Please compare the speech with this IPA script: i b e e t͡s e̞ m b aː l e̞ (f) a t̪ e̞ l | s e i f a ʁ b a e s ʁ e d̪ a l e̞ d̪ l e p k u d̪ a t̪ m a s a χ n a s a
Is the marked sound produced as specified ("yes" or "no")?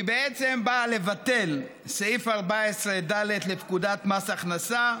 no